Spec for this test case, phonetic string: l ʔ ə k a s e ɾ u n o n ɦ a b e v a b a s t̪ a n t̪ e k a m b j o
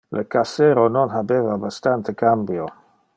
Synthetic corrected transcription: l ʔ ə k a s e ɾ o n o n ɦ a b e v a b a s t̪ a n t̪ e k a m b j o